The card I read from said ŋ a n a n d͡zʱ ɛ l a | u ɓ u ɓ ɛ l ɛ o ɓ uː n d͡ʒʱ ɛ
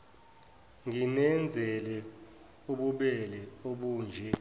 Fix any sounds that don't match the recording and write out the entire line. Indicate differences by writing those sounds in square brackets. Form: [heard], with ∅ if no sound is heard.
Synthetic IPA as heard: ŋ [i] n [ɛ] n d͡zʱ ɛ l [ɛ] | u ɓ u ɓ ɛ l ɛ o ɓ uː n d͡ʒʱ ɛ